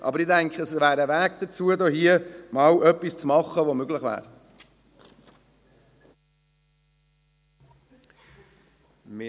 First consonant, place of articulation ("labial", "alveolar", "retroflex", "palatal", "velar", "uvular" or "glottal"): glottal